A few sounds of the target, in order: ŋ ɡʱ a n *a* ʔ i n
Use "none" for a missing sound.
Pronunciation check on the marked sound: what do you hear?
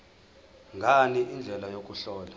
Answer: i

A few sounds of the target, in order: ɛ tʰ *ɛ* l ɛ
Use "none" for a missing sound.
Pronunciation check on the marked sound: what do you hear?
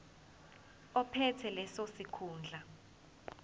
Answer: ɛ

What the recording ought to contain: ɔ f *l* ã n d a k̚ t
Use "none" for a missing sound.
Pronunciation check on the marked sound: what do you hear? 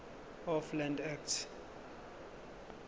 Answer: l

